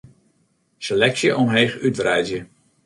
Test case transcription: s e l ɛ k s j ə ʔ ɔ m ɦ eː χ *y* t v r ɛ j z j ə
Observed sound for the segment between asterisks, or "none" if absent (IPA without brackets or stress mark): y